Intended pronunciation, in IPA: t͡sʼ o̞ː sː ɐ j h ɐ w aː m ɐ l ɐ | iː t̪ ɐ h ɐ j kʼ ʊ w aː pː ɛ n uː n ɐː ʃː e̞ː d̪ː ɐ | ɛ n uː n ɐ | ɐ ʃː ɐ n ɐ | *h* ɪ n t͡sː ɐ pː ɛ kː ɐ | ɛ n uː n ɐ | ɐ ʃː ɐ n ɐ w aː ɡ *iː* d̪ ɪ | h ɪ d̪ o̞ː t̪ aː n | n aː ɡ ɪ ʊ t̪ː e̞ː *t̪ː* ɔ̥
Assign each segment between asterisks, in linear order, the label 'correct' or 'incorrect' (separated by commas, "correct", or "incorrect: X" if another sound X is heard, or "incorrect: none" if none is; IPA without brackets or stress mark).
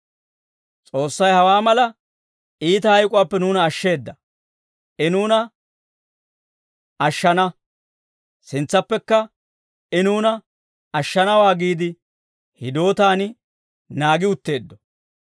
incorrect: s, correct, incorrect: d̪ː